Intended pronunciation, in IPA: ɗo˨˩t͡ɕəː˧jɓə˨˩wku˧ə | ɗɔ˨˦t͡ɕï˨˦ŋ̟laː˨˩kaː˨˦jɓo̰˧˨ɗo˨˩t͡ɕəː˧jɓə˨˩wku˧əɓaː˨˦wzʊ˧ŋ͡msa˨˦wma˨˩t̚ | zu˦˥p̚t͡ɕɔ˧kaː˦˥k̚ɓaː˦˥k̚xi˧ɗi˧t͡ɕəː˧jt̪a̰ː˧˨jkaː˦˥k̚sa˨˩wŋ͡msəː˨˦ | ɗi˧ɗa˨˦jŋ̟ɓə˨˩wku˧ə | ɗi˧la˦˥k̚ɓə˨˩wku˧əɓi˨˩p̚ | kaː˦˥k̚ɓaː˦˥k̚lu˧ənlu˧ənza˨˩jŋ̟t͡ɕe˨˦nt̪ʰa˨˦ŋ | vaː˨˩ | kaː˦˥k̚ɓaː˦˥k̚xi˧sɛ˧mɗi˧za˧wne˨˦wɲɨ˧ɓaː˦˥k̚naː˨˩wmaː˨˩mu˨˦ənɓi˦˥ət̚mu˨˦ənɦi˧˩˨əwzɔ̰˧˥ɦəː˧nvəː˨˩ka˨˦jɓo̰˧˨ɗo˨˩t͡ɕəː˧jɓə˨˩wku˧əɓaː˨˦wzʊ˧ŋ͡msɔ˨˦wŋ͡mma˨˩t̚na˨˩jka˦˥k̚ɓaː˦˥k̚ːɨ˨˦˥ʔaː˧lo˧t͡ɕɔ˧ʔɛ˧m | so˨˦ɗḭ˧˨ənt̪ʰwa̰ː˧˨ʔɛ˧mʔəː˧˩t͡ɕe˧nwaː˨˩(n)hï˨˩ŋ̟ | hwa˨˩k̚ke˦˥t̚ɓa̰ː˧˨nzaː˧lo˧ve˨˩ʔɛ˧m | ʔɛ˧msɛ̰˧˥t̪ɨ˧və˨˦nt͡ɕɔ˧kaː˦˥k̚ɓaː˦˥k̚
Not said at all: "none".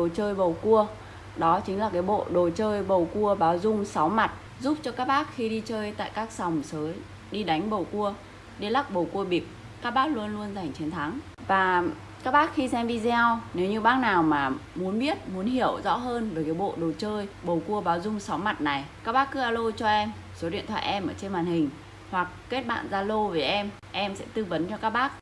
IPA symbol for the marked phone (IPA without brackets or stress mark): n